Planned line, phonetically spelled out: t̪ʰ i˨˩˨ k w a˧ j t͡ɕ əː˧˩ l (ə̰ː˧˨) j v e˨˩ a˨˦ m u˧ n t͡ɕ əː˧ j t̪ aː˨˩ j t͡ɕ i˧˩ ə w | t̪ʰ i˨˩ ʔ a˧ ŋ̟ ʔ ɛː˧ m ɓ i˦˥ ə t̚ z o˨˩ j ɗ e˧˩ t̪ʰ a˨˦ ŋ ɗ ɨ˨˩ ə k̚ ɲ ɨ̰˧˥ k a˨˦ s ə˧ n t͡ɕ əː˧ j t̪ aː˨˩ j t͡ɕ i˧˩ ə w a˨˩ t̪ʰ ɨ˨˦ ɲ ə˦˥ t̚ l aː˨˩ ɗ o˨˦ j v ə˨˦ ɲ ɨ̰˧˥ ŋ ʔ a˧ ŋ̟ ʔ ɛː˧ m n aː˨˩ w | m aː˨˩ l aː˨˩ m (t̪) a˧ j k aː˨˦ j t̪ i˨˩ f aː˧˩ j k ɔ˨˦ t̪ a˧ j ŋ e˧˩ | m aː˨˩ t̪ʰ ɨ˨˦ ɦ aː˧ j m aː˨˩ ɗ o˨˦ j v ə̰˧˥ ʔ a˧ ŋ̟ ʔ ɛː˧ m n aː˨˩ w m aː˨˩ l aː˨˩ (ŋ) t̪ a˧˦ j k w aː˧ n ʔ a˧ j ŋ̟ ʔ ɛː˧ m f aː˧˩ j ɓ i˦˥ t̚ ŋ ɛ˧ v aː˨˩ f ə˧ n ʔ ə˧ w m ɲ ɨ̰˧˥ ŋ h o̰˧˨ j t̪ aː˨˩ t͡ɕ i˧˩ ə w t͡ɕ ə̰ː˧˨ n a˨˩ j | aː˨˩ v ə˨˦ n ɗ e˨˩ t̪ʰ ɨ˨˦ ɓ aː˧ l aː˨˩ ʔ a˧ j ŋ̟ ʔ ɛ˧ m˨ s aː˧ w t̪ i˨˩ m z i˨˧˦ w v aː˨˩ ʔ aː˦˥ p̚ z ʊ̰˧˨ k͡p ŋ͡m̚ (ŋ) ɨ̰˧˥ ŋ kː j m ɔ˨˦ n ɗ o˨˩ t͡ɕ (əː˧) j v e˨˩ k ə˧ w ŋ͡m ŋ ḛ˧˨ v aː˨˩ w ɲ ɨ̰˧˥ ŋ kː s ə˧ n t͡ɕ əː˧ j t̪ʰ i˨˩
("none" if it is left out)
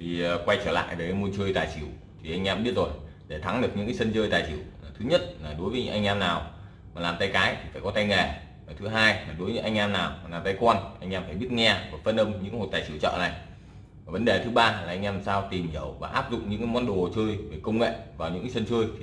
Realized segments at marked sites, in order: a̰ː˧˨, t̪, m, ɲ, əː˧

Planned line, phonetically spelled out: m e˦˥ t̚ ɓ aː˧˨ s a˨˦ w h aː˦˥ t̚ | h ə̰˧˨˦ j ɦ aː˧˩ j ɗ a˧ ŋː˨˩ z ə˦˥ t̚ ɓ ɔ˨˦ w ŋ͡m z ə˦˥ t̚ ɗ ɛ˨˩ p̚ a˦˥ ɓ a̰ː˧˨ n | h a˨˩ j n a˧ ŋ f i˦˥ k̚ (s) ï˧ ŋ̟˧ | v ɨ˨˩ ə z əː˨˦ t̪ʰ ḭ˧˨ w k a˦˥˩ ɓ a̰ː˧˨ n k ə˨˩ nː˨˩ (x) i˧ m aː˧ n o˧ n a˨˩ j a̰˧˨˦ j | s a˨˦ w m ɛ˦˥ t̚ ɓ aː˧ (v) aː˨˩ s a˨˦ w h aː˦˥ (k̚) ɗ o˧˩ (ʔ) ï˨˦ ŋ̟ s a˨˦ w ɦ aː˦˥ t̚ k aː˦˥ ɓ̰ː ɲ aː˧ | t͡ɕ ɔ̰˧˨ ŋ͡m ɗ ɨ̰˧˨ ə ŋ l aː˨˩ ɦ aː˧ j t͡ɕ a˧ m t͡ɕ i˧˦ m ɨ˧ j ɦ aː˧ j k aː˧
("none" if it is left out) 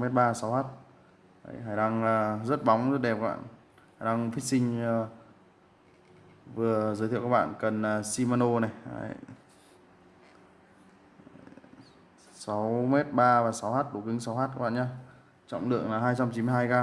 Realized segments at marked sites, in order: s, s, v, t̚, k

